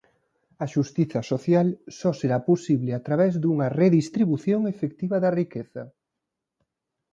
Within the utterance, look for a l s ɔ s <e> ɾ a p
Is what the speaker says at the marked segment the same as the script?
yes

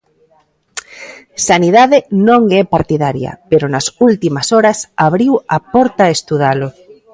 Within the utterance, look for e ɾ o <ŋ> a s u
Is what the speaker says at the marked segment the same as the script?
no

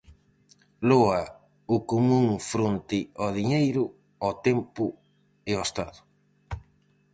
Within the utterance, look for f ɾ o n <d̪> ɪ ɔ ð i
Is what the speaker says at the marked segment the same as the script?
no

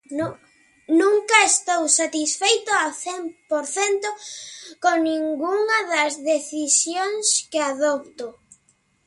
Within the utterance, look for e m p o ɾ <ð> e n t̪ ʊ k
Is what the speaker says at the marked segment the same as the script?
no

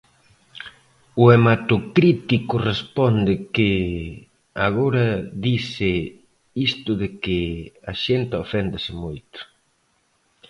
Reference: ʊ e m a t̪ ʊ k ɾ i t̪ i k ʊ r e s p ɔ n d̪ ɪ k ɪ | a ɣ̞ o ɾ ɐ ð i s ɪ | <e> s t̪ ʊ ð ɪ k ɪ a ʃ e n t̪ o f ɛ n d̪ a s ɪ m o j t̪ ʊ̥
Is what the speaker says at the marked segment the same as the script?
no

